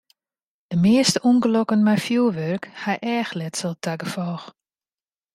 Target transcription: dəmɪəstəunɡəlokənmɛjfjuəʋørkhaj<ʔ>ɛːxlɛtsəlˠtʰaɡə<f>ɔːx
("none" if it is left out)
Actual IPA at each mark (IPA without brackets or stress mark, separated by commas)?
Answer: ʔ, f